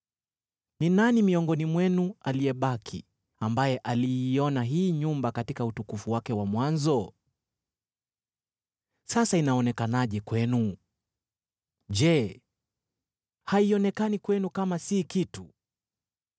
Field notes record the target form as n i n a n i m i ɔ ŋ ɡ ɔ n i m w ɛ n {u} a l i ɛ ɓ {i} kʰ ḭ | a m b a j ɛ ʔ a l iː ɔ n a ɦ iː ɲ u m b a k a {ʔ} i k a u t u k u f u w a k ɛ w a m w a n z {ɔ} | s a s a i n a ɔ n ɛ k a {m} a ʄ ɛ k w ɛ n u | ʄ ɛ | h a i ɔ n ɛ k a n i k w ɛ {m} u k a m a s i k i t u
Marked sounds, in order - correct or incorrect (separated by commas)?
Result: correct, incorrect, incorrect, correct, incorrect, incorrect